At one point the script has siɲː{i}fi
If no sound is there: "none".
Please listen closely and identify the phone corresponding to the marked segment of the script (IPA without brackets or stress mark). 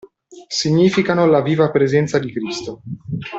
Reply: iː